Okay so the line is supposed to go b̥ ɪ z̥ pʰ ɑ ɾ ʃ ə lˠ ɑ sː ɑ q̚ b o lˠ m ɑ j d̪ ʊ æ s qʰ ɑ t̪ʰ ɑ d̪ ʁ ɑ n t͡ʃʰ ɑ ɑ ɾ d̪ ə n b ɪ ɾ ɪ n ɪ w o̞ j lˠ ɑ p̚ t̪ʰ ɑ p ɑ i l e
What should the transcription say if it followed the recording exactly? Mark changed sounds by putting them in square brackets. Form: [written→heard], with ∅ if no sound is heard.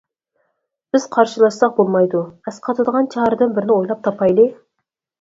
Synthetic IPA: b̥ ɪ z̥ [pʰ→qʰ] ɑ ɾ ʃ ə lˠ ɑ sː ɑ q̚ b o lˠ m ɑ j d̪ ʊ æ s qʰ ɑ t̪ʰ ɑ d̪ ʁ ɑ n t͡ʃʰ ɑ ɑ ɾ d̪ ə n b ɪ ɾ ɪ n ɪ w o̞ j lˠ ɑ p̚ t̪ʰ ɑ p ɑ [i→j] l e